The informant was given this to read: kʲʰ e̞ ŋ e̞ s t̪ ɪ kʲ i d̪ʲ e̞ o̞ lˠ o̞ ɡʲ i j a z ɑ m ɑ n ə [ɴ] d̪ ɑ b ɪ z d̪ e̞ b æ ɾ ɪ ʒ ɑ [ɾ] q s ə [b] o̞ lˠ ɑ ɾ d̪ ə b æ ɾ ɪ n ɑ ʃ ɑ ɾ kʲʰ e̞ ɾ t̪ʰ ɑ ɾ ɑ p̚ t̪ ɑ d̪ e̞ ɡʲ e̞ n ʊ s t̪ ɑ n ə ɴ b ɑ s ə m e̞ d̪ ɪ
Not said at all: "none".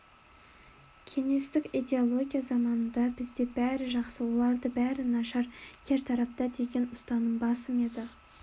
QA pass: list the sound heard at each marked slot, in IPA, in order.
n, none, w

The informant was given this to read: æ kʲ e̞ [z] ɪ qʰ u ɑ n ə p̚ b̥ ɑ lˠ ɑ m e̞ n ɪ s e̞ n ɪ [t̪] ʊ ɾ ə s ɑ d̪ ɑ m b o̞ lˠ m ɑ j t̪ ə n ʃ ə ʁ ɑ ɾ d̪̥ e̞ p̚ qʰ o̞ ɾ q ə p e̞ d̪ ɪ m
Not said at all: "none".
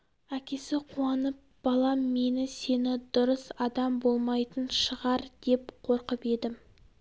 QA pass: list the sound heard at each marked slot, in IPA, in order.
s, d̪

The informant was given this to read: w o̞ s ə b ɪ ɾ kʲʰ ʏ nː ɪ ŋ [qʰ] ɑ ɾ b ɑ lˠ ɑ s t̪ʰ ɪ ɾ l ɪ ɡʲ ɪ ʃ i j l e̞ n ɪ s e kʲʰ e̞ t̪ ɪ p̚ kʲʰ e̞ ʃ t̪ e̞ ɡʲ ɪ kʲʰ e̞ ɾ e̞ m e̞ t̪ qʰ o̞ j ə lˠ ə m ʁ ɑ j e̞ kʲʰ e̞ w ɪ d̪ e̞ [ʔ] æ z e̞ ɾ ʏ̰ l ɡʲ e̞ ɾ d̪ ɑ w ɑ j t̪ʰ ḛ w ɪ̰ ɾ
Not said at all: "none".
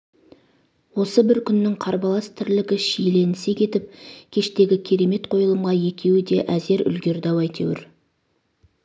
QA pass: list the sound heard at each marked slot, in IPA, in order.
qʰ, ʔ

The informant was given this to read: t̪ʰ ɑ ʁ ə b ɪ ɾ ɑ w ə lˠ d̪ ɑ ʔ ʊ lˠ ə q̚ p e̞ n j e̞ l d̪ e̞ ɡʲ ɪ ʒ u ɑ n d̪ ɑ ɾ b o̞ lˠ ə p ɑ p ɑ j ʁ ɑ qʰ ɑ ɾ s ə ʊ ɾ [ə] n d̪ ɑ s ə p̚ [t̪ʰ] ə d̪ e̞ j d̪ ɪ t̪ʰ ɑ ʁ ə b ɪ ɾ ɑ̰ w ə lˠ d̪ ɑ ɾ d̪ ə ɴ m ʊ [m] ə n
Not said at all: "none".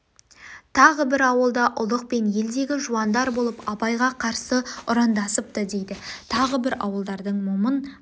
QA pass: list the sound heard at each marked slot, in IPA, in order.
ɑ, t̪, m

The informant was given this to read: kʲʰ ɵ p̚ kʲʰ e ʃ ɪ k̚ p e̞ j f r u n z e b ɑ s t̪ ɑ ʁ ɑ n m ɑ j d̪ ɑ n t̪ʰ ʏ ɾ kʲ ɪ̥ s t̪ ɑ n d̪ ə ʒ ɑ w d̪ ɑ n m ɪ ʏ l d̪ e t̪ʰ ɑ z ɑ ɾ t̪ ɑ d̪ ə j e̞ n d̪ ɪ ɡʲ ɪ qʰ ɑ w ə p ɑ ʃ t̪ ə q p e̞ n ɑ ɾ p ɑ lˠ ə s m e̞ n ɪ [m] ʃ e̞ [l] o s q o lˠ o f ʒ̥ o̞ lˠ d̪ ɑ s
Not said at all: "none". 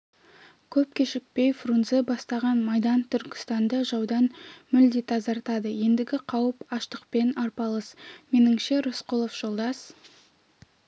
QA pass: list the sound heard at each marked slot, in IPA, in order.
ŋ, ɾ

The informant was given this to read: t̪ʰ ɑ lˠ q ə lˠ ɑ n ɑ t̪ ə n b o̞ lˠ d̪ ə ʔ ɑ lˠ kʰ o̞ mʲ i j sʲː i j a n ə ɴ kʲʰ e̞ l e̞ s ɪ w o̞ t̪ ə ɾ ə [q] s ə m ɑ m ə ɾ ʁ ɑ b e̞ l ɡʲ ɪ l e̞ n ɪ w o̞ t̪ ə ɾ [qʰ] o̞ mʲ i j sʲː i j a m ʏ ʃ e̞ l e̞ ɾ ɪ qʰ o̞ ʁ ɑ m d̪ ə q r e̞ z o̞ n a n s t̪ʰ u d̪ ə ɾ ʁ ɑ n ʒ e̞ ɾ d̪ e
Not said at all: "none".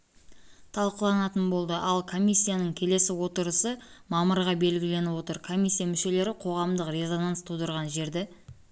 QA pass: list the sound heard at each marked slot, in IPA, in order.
none, kʰ

